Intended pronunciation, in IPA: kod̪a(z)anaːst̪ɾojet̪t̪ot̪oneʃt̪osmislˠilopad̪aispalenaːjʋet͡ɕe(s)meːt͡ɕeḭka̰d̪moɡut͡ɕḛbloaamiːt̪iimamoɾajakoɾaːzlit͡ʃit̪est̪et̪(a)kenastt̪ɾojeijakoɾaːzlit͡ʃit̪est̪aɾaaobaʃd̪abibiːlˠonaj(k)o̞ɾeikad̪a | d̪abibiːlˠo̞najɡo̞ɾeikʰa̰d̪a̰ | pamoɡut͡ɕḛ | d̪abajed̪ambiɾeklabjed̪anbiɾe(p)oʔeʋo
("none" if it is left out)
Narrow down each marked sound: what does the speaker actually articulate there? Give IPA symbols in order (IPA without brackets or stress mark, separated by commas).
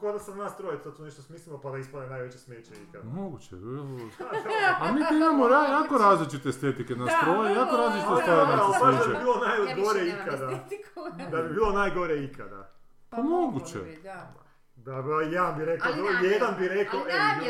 s, s, i, ɡ, k